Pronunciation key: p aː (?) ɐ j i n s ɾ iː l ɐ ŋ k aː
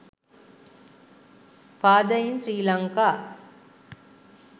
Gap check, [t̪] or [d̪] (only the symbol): d̪